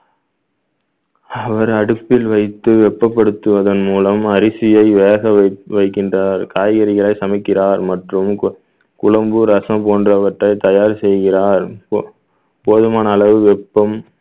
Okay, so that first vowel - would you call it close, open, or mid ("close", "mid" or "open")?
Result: open